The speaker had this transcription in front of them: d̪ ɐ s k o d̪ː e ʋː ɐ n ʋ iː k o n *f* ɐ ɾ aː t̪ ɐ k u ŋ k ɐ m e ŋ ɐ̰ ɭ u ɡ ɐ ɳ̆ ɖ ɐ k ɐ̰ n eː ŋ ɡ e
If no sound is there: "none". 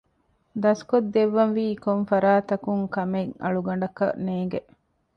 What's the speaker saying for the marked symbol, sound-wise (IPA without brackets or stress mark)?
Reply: f